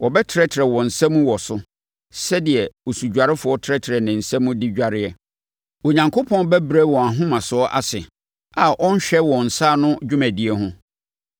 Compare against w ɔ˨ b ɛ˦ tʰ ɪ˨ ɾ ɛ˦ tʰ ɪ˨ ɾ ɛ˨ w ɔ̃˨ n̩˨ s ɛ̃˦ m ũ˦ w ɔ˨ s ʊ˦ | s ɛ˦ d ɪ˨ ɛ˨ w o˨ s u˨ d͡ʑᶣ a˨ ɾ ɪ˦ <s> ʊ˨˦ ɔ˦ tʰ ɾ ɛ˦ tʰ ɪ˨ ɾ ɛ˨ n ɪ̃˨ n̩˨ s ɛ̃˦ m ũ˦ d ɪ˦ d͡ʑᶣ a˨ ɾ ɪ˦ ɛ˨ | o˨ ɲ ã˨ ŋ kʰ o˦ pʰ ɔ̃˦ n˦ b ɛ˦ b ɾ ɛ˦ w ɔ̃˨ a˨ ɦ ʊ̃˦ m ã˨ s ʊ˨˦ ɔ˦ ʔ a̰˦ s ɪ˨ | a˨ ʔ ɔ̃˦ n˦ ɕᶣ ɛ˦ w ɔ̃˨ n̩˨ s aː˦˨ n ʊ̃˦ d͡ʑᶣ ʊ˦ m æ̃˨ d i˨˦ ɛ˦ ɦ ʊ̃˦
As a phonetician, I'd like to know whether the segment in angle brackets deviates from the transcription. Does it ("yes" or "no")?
yes